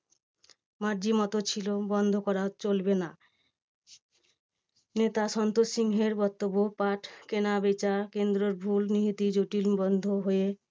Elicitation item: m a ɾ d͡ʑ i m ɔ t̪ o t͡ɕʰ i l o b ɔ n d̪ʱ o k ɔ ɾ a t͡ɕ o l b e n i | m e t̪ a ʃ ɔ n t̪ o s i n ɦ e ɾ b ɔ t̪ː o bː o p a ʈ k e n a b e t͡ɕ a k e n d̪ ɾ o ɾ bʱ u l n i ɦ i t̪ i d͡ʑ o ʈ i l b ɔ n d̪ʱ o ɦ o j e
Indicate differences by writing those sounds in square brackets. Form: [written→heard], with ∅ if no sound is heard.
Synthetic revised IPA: m a ɾ d͡ʑ i m ɔ t̪ o t͡ɕʰ i l o b ɔ n d̪ʱ o k ɔ ɾ a t͡ɕ o l b e n [i→a] | [m→n] e t̪ a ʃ ɔ n t̪ o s i [n→ŋ] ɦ e ɾ b ɔ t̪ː o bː o p a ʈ k e n a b e t͡ɕ a k e n d̪ ɾ o ɾ bʱ u l n i ɦ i t̪ i d͡ʑ o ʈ i l b ɔ n d̪ʱ o ɦ o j e